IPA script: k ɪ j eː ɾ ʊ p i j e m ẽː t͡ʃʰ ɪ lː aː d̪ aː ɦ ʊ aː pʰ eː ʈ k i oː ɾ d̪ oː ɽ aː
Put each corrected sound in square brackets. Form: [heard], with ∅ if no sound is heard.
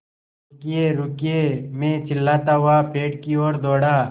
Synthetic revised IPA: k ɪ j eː ɾ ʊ [k] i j e m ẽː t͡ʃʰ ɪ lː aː [t̪] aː ɦ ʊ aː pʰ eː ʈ k i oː ɾ d̪ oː ɽ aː